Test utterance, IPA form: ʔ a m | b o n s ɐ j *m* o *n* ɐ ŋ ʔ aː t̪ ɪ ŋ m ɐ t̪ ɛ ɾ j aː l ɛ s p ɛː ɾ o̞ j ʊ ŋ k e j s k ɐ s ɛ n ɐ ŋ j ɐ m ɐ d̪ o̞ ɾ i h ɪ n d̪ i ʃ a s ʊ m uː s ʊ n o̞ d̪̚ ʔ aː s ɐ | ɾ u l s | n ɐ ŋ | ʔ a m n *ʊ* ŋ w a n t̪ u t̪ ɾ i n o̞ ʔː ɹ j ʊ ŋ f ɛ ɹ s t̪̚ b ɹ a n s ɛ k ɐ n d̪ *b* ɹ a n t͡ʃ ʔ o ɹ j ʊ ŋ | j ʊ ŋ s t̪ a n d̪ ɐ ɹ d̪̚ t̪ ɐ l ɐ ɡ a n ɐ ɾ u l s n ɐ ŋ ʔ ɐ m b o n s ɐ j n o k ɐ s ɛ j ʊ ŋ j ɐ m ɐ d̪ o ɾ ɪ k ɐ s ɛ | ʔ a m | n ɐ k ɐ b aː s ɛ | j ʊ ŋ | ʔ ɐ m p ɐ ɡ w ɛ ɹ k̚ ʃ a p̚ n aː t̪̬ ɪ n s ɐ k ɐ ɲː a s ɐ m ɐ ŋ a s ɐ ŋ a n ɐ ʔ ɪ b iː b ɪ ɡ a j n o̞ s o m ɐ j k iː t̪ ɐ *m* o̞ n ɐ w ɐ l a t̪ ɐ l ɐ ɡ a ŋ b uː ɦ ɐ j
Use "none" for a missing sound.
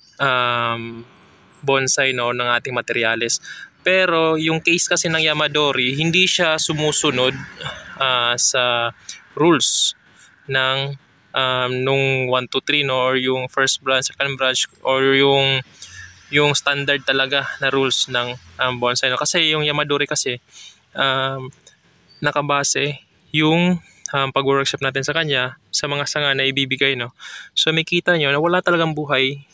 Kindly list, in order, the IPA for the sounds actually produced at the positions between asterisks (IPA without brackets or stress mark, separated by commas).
n, n, ʊ, b, ɲ